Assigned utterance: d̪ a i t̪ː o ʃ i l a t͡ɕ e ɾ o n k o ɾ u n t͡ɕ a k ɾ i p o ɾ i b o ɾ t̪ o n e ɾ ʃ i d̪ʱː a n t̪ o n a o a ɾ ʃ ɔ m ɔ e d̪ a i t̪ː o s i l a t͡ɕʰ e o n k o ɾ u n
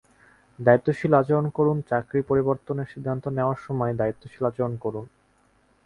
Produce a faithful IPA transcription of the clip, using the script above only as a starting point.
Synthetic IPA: d̪ a i t̪ː o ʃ i l a t͡ɕ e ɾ o n k o ɾ u n t͡ɕ a k ɾ i p o ɾ i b o ɾ t̪ o n e ɾ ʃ i d̪ʱː a n t̪ o n e o a ɾ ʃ ɔ m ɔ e d̪ a i t̪ː o ʃ i l a t͡ɕ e o n k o ɾ u n